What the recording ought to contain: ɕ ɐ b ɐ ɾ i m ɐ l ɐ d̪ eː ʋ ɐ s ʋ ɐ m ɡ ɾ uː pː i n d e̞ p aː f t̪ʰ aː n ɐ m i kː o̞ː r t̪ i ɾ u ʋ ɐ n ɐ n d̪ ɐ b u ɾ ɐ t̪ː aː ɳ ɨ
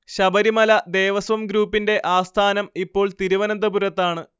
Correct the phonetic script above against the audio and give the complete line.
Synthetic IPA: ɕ ɐ b ɐ ɾ i m ɐ l ɐ d̪ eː ʋ ɐ s ʋ ɐ m ɡ ɾ uː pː i n d e̞ ʔ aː s t̪ʰ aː n ɐ m i pː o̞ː ɭ t̪ i ɾ u ʋ ɐ n ɐ n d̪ ɐ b u ɾ ɐ t̪ː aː ɳ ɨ